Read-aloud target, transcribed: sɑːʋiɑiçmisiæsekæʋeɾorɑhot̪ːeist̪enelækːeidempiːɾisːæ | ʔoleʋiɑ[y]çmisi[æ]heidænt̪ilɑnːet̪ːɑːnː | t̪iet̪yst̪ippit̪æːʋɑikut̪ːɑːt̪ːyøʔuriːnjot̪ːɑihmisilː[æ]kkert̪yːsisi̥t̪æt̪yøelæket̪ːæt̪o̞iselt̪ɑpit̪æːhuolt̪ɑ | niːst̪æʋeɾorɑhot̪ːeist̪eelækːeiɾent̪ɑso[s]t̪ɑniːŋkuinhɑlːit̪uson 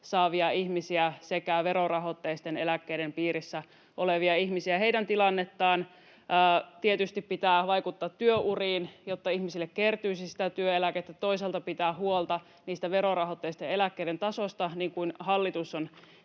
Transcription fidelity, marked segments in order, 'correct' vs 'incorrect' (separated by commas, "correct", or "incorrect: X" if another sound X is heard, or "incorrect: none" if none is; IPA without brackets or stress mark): incorrect: i, correct, incorrect: e, correct